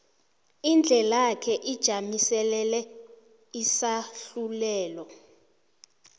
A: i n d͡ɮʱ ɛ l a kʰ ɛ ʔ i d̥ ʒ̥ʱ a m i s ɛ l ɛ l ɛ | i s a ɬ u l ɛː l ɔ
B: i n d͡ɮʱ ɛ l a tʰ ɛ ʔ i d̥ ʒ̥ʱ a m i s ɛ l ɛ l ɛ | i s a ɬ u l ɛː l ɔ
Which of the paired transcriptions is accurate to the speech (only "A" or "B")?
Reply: A